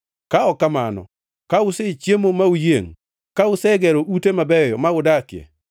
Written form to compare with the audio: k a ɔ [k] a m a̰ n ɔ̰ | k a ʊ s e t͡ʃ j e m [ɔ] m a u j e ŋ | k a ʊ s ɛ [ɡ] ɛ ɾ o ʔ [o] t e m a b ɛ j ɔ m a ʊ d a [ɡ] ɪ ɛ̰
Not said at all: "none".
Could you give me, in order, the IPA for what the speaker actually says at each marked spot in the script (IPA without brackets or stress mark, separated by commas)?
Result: k, o, ɡ, u, k